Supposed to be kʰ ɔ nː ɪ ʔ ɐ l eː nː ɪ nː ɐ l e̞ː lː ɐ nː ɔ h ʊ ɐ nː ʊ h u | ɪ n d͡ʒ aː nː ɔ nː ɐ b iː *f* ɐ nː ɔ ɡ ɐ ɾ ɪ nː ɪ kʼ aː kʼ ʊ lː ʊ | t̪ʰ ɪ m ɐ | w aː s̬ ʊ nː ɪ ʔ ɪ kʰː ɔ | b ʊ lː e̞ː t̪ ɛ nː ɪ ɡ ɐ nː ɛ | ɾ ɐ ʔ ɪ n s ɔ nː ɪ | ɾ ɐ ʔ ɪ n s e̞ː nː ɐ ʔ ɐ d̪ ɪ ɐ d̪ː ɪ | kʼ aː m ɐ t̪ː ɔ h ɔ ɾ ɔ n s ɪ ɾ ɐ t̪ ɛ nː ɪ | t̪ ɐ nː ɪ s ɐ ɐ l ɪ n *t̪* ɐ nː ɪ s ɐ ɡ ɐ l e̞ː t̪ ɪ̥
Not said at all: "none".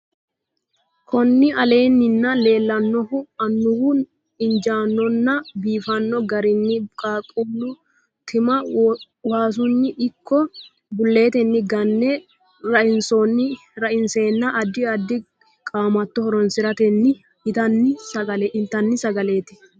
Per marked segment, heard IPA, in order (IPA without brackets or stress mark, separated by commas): f, t̪